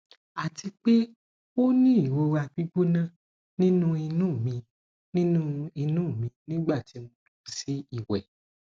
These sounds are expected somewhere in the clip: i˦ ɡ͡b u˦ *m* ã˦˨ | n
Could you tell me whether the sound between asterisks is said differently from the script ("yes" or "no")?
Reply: yes